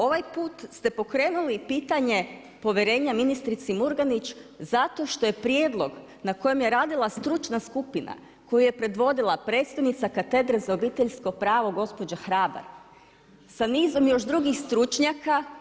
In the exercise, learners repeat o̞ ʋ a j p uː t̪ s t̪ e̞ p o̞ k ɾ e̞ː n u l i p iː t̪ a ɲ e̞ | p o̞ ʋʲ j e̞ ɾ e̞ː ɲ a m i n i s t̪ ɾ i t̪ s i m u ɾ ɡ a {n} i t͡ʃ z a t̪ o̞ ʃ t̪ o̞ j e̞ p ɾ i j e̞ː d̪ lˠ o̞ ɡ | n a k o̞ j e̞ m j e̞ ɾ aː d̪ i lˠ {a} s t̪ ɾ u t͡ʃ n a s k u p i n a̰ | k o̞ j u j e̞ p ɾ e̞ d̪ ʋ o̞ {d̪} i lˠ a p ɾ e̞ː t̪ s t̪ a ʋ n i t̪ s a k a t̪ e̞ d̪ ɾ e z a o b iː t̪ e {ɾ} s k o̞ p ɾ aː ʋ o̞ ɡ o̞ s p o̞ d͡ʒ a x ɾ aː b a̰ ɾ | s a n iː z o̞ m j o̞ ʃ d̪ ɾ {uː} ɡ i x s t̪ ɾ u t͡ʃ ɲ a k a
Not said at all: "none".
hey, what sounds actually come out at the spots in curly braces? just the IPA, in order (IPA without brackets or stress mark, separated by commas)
n, a, d̪, ʎ, u